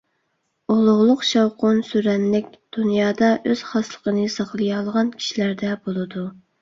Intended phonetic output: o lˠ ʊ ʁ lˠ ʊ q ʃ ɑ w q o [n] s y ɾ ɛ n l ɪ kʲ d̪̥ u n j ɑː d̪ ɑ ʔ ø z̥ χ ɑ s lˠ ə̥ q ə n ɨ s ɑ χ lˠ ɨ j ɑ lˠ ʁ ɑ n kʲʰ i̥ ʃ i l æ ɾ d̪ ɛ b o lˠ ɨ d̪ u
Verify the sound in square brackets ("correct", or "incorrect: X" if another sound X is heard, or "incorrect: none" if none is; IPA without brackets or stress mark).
correct